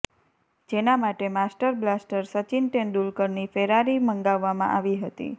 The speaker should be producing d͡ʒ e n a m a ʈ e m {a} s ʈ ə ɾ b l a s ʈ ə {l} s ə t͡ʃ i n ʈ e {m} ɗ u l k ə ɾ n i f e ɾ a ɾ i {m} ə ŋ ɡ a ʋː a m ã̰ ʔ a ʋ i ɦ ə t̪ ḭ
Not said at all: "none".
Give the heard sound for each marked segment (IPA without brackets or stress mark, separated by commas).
a, ɾ, n, m